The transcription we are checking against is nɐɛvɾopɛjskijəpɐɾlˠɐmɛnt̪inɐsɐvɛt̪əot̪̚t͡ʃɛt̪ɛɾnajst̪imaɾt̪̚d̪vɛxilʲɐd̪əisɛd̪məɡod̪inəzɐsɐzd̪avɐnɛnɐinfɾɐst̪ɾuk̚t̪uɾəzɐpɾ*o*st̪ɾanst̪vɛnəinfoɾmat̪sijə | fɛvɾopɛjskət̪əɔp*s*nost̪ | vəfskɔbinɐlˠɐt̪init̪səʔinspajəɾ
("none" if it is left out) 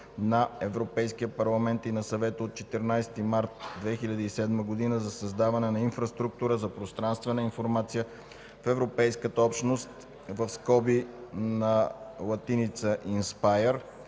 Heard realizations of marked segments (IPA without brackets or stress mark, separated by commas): o, ʃ